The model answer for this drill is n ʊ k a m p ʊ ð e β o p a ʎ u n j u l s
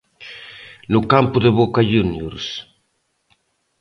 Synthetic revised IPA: n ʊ k a m p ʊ ð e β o k a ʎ u n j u ɾ s